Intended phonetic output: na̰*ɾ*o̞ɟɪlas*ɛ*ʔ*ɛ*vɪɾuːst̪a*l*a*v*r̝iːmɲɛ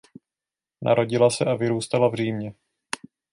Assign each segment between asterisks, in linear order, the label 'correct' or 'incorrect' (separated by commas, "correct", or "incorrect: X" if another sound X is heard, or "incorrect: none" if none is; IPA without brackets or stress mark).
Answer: correct, correct, incorrect: a, correct, correct